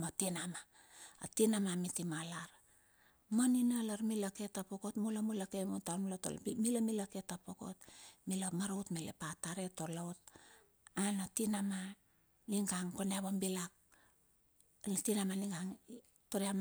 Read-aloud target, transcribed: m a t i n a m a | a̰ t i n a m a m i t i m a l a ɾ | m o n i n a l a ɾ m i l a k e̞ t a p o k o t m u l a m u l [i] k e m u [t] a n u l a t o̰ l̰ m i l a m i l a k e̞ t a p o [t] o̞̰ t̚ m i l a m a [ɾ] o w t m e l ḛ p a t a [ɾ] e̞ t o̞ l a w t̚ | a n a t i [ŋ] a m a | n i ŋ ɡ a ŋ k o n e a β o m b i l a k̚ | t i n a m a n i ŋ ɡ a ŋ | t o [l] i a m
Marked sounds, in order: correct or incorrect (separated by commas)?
incorrect, correct, incorrect, correct, correct, incorrect, incorrect